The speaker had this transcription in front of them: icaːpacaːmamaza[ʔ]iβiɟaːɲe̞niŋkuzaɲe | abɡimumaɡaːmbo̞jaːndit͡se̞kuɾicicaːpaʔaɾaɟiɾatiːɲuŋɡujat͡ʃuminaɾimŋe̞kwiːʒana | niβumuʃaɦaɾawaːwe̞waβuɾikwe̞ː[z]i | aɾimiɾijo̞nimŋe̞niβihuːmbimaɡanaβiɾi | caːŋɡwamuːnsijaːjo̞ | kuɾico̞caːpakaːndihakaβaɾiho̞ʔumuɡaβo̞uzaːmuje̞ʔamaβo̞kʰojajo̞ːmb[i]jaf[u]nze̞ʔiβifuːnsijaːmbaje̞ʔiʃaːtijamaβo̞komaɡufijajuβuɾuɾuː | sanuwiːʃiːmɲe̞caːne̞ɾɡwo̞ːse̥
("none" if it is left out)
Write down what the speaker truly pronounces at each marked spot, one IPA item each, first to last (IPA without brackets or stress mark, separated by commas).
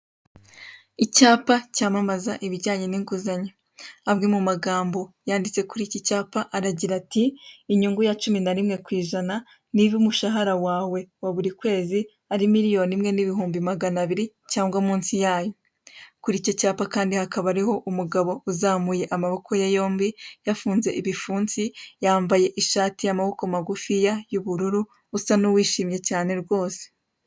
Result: ʔ, z, i, uː